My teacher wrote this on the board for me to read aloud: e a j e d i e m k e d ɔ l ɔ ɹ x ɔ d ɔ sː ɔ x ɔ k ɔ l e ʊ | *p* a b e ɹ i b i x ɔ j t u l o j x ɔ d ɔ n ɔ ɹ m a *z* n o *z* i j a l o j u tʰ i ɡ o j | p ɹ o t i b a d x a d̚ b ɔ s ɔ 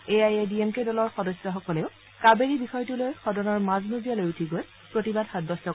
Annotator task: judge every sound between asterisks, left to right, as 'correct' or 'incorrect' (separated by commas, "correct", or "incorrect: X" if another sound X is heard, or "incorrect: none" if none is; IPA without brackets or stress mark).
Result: incorrect: k, correct, correct